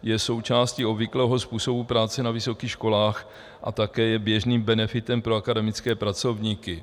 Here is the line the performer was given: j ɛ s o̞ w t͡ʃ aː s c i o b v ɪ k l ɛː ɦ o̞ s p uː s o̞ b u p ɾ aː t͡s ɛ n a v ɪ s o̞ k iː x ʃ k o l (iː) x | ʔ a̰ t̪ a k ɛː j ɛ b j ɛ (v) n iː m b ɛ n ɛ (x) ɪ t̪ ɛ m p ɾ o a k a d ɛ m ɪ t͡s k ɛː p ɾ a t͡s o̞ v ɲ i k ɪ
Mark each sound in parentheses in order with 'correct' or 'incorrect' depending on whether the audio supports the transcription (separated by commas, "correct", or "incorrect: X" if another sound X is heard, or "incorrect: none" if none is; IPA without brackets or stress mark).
incorrect: aː, incorrect: ʒ, incorrect: f